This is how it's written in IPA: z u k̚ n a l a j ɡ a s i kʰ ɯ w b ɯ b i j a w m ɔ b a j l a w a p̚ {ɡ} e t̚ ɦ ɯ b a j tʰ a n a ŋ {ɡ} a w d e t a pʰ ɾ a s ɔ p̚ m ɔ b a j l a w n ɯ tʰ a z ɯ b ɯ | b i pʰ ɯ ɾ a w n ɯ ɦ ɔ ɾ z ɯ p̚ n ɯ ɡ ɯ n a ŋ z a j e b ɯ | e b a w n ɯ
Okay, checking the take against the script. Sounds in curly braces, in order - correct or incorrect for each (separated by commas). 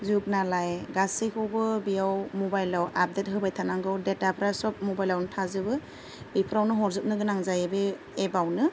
incorrect, correct